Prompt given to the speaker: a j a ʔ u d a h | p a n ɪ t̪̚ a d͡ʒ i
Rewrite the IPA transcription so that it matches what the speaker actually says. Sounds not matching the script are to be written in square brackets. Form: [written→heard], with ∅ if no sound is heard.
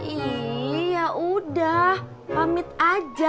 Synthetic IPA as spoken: [a→i] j a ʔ u d a h | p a [n→m] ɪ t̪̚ a d͡ʒ [i→a]